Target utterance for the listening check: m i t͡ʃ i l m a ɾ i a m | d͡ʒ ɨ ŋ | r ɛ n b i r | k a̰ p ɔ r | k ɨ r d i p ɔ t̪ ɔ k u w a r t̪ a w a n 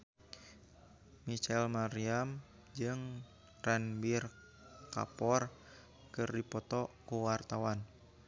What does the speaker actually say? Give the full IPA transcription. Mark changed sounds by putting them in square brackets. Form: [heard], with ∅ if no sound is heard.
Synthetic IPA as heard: m i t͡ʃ [ɛ] l m a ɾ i a m | d͡ʒ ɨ ŋ | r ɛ n b i r | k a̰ p ɔ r | k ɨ r d i p ɔ t̪ ɔ k u w a r t̪ a w a n

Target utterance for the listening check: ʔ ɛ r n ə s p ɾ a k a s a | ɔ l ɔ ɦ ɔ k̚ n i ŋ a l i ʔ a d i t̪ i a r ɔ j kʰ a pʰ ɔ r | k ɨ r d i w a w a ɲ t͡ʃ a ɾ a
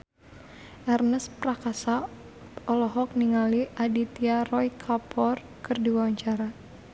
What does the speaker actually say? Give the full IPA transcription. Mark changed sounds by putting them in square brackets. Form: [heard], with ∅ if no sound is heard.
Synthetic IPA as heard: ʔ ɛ r n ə s p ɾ a k a s a | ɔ l ɔ ɦ ɔ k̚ n i ŋ a l i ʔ a d i t̪ i a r ɔ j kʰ a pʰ ɔ r | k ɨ r d i w a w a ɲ t͡ʃ a ɾ a

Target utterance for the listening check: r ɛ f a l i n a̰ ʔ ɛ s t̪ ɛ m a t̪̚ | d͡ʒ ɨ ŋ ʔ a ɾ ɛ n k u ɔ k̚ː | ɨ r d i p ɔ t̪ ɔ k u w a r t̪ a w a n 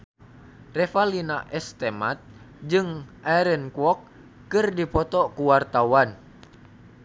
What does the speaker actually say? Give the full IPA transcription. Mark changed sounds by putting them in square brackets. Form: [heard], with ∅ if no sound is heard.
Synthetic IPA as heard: r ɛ f a l i n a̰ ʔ ɛ s t̪ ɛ m a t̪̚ | d͡ʒ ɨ ŋ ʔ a ɾ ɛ n k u ɔ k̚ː | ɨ r d i p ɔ t̪ ɔ k u w a r t̪ a w a n

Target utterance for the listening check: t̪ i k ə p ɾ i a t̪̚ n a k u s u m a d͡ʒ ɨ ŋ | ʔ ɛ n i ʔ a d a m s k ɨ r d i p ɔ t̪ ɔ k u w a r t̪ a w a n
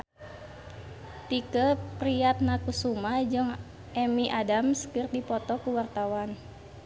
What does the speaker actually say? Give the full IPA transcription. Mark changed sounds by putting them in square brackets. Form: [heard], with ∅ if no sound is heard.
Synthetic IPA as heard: t̪ i k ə p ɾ i a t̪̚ n a k u s u m a d͡ʒ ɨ ŋ | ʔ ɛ [m] i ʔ a d a m s k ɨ r d i p ɔ t̪ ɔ k u w a r t̪ a w a n

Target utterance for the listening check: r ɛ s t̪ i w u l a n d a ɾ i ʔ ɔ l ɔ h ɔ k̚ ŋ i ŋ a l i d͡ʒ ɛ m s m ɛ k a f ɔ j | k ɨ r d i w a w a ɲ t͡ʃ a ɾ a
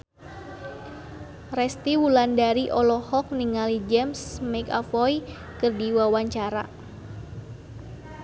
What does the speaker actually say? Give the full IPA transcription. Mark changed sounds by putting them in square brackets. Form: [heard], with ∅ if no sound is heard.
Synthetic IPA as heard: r ɛ s t̪ i w u l a n d a ɾ i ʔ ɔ l ɔ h ɔ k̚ [n] i ŋ a l i d͡ʒ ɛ m s m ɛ k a f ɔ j | k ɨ r d i w a w a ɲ t͡ʃ a ɾ a

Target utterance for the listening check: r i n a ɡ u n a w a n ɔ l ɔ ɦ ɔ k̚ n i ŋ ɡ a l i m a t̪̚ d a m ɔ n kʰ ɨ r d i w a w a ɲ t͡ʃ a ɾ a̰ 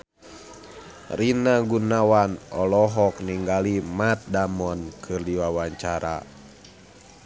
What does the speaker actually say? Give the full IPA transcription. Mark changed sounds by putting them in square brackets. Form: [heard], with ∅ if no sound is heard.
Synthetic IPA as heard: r i n a ɡ u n a w a n ɔ l ɔ ɦ ɔ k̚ n i ŋ ɡ a l i m a t̪̚ d a m ɔ n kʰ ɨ r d i w a w a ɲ t͡ʃ a ɾ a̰

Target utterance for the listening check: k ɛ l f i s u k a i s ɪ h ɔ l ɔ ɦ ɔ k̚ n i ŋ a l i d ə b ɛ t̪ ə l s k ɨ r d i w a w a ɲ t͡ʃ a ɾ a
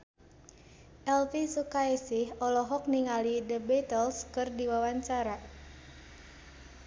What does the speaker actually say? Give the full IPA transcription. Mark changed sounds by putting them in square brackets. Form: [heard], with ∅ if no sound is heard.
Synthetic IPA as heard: [ʔ] ɛ l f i s u k a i s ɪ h ɔ l ɔ ɦ ɔ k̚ n i ŋ a l i d ə b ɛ t̪ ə l s k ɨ r d i w a w a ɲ t͡ʃ a ɾ a

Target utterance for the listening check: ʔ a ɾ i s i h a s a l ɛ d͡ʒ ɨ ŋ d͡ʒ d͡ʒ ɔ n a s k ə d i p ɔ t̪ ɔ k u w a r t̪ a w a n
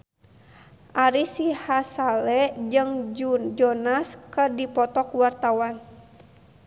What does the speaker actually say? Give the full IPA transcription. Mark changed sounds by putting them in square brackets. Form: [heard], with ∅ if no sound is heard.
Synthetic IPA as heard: ʔ a ɾ i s i h a s a l ɛ d͡ʒ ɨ ŋ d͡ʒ d͡ʒ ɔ n a s k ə d i p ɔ t̪ ɔ k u w a r t̪ a w a n

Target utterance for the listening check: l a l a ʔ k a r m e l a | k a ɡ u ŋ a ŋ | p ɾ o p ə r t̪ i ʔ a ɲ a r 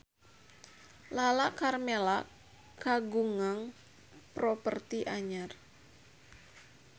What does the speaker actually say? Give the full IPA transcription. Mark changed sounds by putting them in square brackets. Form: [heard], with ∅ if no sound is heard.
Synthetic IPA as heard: l a l a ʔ k a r m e l a | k a ɡ u ŋ a ŋ | p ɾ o p ə r t̪ i ʔ a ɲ a r

